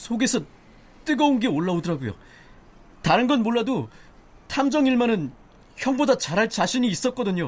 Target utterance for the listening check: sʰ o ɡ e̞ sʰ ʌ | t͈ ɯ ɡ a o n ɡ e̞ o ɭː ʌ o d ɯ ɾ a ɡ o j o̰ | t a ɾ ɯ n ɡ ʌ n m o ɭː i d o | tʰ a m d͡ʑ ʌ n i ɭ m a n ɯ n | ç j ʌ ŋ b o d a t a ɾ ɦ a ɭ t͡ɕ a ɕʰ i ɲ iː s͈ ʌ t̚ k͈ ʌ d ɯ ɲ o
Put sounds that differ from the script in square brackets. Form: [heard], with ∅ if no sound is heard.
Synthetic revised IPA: sʰ o ɡ e̞ sʰ ʌ | t͈ ɯ ɡ [ʌ] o n ɡ e̞ o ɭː [a] o d ɯ ɾ a ɡ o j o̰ | t a ɾ ɯ n ɡ ʌ n m o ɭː [a] d o | tʰ a m d͡ʑ ʌ [ŋ] i ɭ m a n ɯ n | ç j ʌ ŋ b o d a [t͡ɕ] a ɾ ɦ a ɭ t͡ɕ a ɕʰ i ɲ iː s͈ ʌ t̚ k͈ ʌ d ɯ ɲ o